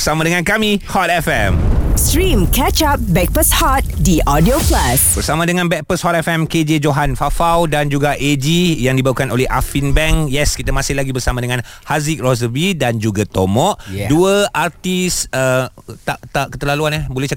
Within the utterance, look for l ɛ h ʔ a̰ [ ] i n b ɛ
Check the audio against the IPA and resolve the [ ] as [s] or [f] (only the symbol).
f